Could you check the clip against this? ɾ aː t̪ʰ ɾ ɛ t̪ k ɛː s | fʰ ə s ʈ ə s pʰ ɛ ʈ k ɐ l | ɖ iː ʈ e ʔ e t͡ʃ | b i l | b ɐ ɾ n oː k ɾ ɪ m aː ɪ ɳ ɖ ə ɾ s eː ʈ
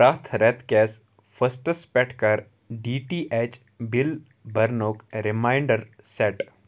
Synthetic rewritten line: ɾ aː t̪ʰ ɾ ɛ t̪ k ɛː s | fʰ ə s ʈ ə s p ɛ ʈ k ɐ ɾ | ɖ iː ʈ i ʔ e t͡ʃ | b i l | b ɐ ɾ n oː k ɾ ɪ m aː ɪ ɳ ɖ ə ɾ s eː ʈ